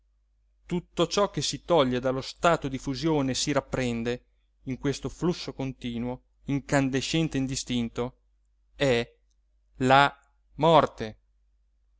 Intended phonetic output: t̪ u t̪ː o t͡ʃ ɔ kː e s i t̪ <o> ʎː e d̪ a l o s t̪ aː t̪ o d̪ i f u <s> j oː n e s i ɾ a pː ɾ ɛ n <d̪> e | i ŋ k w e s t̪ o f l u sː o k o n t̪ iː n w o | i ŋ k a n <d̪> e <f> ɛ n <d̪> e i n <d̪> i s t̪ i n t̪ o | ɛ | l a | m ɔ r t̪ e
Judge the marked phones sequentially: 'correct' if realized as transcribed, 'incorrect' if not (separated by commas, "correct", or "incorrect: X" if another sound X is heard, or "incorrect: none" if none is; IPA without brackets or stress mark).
incorrect: ɔ, incorrect: z, correct, correct, incorrect: ʃ, incorrect: t̪, correct